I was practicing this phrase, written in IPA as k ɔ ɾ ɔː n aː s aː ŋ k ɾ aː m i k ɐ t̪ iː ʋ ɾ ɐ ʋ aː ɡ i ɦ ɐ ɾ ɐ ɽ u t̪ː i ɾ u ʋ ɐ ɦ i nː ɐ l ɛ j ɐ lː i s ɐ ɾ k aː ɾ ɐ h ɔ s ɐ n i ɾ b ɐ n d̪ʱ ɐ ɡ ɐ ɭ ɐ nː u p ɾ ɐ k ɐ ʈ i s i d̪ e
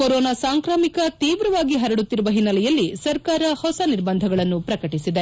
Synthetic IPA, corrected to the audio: k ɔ ɾ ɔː n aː s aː ŋ k ɾ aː m i k ɐ t̪ iː ʋ ɾ ɐ ʋ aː ɡ i ɦ ɐ ɾ ɐ ɽ u t̪ː i ɾ u ʋ ɐ ɦ i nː ɐ l ɛ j ɐ lː i s ɐ ɾ k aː ɾ ɐ h ɔ s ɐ n i ɾ b ɐ n d̪ʱ ɐ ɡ ɐ ɭ ɐ nː u p ɾ ɐ k ɐ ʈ i s i d̪ e